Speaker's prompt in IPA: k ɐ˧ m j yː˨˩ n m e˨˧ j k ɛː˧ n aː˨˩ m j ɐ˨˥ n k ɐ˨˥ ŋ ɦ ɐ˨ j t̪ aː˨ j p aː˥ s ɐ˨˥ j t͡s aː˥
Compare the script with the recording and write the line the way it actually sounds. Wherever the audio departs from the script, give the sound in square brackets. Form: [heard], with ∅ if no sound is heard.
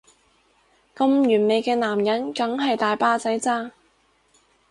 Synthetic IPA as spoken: k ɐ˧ m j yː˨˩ n m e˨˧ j k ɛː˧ n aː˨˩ m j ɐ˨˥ n k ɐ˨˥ ŋ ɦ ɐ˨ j t̪ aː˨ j p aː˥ [t͡s] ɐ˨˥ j t͡s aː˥

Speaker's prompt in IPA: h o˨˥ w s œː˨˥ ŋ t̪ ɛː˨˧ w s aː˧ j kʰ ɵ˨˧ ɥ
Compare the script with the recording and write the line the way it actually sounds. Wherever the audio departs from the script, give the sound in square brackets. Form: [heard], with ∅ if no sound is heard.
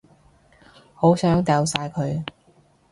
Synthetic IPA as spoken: h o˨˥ w s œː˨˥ ŋ t̪ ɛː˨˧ w s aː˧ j kʰ ɵ˨˧ ɥ

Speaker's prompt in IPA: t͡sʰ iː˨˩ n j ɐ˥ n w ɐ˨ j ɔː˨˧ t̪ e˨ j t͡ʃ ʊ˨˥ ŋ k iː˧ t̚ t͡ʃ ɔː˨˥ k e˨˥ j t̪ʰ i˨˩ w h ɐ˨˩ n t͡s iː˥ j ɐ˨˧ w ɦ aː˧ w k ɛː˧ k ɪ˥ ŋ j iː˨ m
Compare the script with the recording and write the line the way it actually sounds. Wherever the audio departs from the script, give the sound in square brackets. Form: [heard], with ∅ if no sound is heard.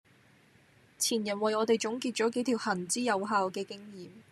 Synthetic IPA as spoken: t͡sʰ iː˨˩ n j [ɐ˨˩] n w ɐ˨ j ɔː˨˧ t̪ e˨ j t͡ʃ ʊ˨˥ ŋ k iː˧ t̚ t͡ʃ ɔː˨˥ k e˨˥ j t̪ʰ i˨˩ w h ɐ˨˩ n t͡s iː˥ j ɐ˨˧ w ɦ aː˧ w k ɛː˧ k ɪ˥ ŋ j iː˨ m

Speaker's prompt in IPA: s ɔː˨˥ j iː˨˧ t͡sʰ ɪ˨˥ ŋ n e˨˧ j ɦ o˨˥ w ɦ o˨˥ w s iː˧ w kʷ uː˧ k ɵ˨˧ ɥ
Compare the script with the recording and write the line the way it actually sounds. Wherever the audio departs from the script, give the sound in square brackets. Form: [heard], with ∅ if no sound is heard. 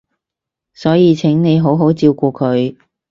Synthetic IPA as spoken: s ɔː˨˥ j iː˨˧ t͡sʰ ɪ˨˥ ŋ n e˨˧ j ɦ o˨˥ w ɦ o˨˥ w [t͡s] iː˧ w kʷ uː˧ [kʰ] ɵ˨˧ ɥ

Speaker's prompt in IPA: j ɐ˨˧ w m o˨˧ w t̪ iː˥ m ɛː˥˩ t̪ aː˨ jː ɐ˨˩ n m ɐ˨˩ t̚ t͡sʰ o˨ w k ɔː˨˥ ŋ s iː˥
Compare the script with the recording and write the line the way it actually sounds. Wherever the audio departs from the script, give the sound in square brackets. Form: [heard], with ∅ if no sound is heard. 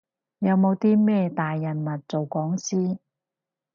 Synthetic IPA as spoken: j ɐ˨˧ w m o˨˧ w t̪ iː˥ m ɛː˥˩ t̪ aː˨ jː ɐ˨˩ n m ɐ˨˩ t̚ [t͡s] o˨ w k ɔː˨˥ ŋ s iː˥

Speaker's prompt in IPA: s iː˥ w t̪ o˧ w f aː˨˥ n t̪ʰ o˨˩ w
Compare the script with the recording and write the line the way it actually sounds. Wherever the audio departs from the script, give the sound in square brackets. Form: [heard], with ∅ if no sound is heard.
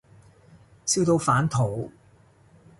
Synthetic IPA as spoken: s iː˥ w t̪ o˧ w f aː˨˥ n t̪ʰ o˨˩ w

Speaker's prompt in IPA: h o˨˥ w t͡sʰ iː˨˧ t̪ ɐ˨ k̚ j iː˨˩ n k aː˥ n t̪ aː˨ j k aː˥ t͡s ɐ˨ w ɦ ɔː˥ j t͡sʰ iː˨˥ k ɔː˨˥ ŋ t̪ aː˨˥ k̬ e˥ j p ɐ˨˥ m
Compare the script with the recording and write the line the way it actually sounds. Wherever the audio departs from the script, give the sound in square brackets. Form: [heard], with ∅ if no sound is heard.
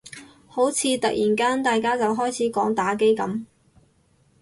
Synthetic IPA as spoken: h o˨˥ w t͡sʰ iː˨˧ t̪ ɐ˨ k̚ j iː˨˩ n k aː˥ n t̪ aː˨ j k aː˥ t͡s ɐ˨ w ɦ ɔː˥ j t͡sʰ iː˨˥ k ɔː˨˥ ŋ t̪ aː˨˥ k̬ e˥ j [k] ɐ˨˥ m

